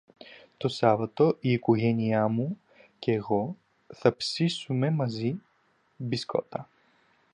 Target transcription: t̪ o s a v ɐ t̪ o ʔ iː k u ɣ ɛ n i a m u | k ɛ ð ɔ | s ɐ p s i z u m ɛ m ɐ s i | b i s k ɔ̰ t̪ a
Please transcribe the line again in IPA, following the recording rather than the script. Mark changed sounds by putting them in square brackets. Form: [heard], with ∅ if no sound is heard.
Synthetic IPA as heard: t̪ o s a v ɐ t̪ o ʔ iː k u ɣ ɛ n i a m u | k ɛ [ɣ] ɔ | [θ] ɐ p s i [s] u m ɛ m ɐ [z] i | b i s k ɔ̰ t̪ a

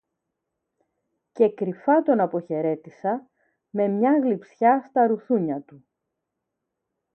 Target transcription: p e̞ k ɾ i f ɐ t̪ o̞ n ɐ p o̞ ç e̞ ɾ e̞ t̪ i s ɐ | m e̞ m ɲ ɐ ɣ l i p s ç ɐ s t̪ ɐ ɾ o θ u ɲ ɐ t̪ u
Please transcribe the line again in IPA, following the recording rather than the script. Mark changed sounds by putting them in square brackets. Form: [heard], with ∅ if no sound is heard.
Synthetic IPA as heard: [c] e̞ k ɾ i f ɐ t̪ o̞ n ɐ p o̞ ç e̞ ɾ e̞ t̪ i s ɐ | m e̞ m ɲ ɐ ɣ l i p s ç ɐ s t̪ ɐ ɾ [u] θ u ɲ ɐ t̪ u

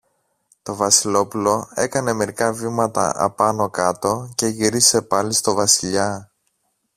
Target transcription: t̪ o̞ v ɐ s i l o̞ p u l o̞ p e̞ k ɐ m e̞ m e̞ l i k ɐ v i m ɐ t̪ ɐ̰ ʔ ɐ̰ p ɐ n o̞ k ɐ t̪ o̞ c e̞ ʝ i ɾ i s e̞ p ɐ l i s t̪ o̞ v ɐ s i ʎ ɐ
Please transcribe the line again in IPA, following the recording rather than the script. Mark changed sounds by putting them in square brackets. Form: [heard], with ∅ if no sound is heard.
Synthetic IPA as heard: t̪ o̞ v ɐ s i l o̞ p u l o̞ [∅] e̞ k ɐ [n] e̞ m e̞ [ɾ] i k ɐ v i m ɐ t̪ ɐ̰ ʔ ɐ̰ p ɐ n o̞ k ɐ t̪ o̞ c e̞ ʝ i ɾ i s e̞ p ɐ l i s t̪ o̞ v ɐ s i ʎ ɐ

